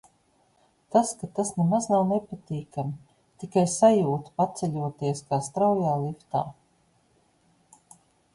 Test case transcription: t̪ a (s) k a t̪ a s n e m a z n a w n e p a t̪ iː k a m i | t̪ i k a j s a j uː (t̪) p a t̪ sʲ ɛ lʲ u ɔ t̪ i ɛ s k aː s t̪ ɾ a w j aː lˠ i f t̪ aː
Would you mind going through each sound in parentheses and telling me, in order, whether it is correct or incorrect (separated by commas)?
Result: correct, correct